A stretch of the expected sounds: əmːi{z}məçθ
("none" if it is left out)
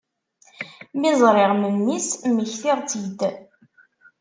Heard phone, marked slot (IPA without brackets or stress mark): s